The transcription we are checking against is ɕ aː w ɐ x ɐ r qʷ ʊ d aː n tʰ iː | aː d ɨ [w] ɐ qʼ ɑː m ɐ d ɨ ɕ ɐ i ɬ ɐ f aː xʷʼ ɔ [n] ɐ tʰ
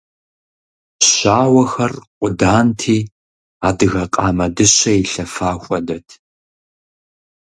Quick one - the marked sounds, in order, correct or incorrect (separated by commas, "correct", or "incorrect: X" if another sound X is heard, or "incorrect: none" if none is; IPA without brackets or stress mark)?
incorrect: ɣ, incorrect: d